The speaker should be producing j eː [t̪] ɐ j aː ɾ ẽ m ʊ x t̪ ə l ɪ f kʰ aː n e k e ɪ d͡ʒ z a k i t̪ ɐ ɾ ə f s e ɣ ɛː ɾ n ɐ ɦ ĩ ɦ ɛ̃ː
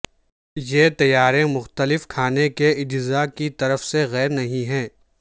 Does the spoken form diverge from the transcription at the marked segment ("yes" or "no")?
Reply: no